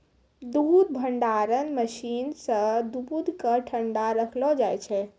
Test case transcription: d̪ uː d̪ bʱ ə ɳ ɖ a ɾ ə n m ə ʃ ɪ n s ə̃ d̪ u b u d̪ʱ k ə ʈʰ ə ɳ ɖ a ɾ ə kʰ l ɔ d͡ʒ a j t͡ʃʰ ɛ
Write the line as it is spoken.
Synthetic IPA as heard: d̪ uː d̪ bʱ ə ɳ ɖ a ɾ ə n m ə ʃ i n s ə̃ d̪ u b u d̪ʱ k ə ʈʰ ə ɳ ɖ a ɾ ə kʰ l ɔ d͡ʒ a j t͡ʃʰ ɛ